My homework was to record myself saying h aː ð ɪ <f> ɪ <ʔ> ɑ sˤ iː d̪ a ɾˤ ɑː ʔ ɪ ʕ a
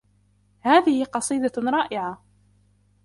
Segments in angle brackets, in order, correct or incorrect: incorrect, incorrect

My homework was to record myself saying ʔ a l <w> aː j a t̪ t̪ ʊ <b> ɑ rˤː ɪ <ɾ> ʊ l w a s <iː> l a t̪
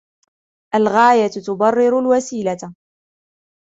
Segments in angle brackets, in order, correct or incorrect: incorrect, correct, correct, correct

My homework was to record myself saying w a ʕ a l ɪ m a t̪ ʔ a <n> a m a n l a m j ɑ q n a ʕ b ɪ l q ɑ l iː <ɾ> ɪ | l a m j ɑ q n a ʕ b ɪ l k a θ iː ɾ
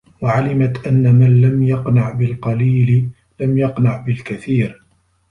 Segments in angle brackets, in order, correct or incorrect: incorrect, incorrect

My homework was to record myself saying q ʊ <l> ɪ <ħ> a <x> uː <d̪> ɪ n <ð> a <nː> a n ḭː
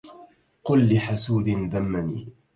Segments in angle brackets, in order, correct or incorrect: incorrect, correct, incorrect, correct, correct, incorrect

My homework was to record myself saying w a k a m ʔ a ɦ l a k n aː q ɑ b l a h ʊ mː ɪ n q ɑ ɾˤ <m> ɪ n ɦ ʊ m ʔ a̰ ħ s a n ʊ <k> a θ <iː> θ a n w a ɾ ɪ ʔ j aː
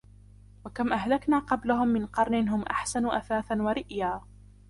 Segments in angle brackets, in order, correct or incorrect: incorrect, incorrect, incorrect

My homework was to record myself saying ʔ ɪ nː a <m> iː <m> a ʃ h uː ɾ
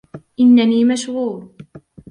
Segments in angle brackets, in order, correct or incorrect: incorrect, correct

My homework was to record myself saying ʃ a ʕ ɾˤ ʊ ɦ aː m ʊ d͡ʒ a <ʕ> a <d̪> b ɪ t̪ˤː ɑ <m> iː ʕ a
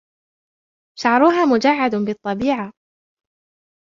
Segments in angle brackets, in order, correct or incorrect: incorrect, correct, incorrect

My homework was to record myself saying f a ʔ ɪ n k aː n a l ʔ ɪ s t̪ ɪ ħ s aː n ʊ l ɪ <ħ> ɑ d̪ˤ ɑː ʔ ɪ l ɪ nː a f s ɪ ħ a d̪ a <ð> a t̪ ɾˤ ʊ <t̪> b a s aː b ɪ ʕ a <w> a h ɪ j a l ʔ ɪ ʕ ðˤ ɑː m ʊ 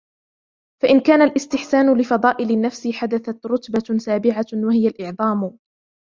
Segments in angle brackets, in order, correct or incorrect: incorrect, incorrect, correct, correct

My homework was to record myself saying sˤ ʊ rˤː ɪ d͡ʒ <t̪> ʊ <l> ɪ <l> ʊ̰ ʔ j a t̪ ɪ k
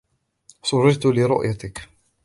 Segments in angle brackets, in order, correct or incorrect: correct, correct, incorrect

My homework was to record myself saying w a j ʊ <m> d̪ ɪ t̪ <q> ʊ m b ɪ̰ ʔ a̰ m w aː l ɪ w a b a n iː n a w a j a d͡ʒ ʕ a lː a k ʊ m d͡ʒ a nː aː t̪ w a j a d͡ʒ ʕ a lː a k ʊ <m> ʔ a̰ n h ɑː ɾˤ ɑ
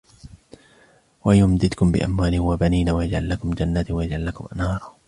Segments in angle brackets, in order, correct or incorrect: correct, incorrect, correct

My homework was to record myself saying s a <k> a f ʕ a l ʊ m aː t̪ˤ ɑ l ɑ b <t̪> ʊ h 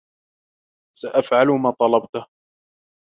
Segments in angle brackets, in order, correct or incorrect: incorrect, correct

